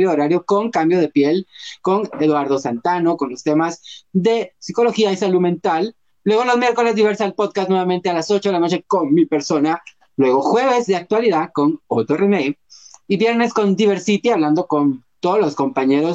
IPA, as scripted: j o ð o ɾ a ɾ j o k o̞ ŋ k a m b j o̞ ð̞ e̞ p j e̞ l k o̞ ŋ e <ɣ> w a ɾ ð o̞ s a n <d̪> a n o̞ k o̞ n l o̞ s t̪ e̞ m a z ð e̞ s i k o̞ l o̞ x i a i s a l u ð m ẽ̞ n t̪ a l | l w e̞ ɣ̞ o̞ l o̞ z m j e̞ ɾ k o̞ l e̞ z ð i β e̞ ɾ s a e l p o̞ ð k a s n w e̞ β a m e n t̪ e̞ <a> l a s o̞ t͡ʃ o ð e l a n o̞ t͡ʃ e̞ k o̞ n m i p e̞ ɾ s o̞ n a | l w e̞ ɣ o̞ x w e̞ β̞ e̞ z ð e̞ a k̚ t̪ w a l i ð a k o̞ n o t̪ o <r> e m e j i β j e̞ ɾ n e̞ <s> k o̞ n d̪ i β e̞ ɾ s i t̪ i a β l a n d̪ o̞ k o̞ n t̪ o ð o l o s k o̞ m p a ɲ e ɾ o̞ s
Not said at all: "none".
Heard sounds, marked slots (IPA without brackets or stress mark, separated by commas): ð, t̪, a, r, s